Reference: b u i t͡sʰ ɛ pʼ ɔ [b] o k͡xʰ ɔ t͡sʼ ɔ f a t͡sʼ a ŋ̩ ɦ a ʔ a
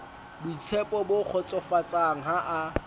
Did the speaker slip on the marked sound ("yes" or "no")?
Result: no